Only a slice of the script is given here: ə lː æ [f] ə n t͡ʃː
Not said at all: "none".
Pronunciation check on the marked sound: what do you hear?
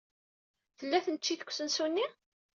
θ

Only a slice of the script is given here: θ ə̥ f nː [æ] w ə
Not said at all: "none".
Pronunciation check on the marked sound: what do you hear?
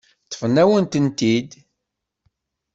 æ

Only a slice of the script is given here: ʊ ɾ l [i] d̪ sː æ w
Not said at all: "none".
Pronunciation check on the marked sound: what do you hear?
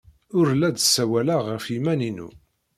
æ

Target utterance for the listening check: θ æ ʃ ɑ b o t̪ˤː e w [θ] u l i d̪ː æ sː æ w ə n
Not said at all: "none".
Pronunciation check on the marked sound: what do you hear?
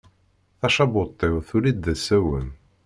θ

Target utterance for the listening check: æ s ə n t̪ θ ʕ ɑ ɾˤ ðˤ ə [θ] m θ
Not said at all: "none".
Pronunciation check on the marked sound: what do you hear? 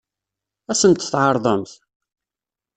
none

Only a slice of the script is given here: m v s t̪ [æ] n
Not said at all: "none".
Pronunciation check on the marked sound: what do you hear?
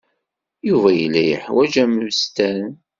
æ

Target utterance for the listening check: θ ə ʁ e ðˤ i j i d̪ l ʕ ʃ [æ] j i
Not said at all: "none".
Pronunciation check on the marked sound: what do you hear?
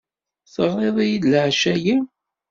æ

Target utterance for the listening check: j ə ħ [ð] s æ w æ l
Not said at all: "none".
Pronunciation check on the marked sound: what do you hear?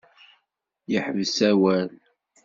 v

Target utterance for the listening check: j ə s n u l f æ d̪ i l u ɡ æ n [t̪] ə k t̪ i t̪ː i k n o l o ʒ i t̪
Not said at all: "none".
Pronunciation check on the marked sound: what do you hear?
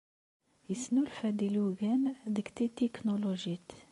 d̪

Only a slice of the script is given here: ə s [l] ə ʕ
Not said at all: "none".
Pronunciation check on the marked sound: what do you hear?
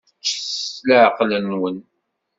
l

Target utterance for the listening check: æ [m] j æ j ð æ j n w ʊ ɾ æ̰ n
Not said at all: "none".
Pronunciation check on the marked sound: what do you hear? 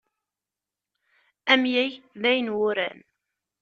m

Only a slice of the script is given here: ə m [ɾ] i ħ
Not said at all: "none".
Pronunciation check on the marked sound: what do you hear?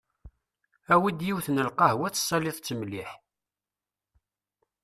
l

